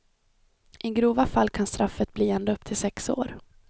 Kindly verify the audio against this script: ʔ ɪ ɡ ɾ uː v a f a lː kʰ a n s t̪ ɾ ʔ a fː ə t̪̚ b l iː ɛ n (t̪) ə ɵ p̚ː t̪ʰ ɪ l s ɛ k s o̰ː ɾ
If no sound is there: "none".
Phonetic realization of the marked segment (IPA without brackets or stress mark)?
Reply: d̪